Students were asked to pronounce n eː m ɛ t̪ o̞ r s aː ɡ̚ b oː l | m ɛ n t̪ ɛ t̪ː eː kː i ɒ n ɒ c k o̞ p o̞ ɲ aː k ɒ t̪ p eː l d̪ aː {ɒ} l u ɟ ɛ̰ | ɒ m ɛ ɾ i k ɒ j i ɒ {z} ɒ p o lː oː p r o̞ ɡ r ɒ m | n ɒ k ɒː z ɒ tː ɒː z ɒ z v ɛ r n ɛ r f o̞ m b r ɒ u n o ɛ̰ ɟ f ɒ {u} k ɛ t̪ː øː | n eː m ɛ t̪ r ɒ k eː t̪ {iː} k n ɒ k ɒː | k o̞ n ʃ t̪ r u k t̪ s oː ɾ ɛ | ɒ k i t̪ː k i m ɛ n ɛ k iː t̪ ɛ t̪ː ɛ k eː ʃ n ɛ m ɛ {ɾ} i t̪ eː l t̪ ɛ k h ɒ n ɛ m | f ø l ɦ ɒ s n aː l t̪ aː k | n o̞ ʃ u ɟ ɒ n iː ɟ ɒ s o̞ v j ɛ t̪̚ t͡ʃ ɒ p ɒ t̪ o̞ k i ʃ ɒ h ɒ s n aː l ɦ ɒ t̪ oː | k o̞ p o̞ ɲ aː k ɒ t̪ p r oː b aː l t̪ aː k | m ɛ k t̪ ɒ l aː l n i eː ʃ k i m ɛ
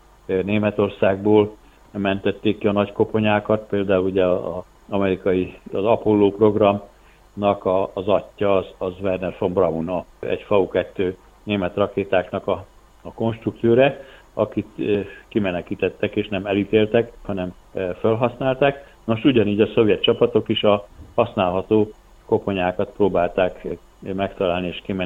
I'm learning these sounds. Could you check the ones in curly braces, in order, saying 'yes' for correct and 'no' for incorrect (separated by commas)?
no, yes, yes, no, no